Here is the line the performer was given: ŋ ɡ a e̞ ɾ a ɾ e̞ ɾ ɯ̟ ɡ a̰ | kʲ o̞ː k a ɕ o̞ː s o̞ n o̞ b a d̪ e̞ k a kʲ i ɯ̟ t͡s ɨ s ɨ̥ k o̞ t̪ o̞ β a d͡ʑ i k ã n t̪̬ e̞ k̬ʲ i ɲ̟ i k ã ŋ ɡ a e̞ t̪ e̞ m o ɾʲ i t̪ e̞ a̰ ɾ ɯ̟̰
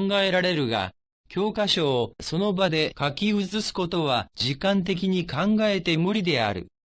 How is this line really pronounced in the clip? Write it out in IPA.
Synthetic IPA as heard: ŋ ɡ a e̞ ɾ a ɾ e̞ ɾ ɯ̟ ɡ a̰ | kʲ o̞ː k a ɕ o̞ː s o̞ n o̞ b a d̪ e̞ k a kʲ i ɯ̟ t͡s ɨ s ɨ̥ k o̞ t̪ o̞ β a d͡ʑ i k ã n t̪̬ e̞ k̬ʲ i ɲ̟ i k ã ŋ ɡ a e̞ t̪ e̞ m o ɾʲ i d̪ e̞ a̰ ɾ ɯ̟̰